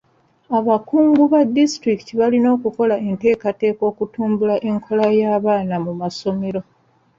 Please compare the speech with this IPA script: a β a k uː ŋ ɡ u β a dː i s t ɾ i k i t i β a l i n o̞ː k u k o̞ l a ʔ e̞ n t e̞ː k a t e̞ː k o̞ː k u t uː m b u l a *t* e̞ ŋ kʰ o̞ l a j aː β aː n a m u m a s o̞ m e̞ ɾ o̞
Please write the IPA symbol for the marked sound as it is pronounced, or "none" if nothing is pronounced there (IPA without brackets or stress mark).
ʔ